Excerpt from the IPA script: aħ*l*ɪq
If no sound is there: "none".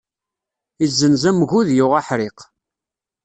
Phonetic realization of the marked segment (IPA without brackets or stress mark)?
ɾ